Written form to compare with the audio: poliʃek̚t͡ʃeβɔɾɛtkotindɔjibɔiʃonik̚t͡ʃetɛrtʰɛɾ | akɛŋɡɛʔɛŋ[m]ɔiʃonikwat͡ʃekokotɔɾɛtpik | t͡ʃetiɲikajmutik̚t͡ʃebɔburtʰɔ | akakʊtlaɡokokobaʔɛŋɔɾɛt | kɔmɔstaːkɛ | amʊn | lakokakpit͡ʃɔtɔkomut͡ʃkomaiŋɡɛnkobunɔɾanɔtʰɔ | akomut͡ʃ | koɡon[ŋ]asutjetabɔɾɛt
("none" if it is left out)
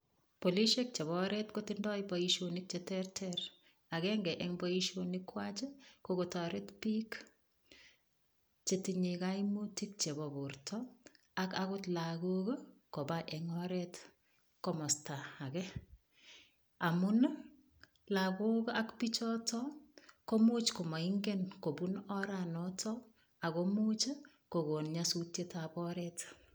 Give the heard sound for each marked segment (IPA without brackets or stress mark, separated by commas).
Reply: b, ɲ